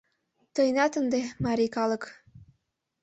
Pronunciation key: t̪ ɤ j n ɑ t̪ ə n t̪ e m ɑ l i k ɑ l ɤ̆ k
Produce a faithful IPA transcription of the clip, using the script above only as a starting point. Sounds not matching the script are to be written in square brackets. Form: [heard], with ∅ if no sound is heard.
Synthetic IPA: t̪ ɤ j n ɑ t̪ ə n [d̪] e m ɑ [ɾ] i k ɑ l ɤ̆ k